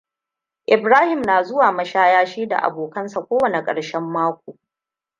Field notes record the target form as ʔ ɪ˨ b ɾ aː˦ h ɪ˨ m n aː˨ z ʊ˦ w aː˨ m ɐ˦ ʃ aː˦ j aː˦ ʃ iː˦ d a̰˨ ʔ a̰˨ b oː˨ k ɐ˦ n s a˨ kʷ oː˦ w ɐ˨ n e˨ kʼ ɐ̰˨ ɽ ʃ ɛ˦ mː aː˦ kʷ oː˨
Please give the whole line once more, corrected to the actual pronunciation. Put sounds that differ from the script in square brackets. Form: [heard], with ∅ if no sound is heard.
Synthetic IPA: ʔ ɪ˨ b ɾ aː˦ h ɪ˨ m n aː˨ z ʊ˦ w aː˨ m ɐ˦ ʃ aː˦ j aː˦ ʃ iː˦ d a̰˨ ʔ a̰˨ b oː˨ k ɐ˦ n s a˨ kʷ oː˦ w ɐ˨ n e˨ kʼ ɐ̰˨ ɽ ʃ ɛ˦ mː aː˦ kʷ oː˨